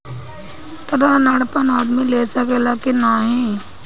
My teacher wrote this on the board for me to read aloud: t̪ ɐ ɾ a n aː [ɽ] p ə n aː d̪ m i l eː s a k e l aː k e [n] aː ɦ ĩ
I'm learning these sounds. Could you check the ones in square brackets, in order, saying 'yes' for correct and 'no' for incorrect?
yes, yes

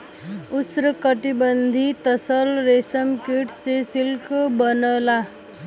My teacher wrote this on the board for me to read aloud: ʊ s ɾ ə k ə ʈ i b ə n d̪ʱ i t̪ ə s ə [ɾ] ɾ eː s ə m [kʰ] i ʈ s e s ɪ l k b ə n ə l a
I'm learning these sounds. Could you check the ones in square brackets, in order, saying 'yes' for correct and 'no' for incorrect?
no, no

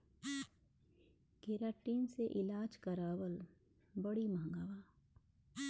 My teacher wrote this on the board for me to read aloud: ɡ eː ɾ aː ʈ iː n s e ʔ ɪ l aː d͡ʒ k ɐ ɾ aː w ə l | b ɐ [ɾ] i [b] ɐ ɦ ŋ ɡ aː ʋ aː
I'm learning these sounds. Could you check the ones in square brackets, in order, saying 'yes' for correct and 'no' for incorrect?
no, no

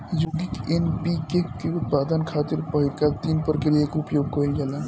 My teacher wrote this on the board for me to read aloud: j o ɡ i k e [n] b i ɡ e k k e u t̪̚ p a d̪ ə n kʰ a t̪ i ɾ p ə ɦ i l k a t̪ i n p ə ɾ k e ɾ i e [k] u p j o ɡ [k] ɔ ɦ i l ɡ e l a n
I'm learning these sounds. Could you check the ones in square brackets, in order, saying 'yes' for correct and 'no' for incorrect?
yes, yes, yes

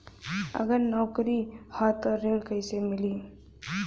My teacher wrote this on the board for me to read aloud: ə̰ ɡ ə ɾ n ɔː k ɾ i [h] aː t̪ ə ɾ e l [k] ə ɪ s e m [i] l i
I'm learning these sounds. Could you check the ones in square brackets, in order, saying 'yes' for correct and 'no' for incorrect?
yes, yes, no

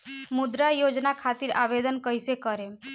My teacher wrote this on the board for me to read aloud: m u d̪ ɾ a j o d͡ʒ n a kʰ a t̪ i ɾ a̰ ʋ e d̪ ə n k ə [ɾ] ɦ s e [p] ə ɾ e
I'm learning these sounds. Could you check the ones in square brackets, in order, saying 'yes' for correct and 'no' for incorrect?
no, no

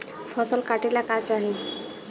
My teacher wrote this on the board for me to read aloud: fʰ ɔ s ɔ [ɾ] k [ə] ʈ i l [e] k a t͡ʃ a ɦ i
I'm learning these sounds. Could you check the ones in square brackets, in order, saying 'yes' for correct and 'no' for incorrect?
no, no, no

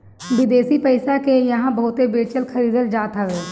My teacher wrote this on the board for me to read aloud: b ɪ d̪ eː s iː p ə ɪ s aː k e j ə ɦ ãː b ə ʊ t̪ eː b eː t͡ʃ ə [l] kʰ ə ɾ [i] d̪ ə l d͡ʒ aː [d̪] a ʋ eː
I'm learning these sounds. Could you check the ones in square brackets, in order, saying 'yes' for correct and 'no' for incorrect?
yes, no, no

